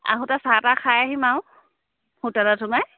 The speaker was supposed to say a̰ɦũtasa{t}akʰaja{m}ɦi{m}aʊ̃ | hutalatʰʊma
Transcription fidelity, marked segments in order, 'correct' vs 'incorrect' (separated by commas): correct, incorrect, correct